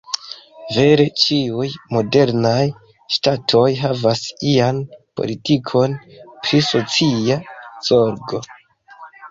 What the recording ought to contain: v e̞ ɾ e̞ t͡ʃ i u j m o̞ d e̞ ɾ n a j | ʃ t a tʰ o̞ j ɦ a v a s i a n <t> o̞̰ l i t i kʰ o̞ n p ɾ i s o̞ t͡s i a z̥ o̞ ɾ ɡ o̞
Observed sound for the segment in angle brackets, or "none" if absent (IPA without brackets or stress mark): p